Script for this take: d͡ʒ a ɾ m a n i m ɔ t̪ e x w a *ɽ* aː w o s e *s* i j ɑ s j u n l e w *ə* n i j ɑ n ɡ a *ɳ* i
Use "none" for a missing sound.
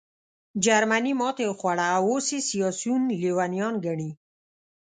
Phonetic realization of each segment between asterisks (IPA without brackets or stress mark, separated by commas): ɽ, s, a, ɳ